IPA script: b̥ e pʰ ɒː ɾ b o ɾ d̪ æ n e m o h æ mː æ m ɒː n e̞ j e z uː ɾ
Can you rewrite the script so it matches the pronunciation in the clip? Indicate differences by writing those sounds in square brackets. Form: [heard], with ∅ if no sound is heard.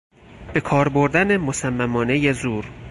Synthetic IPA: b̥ e [kʰ] ɒː ɾ b o ɾ d̪ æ n e m o [s] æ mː æ m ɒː n e̞ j e z uː ɾ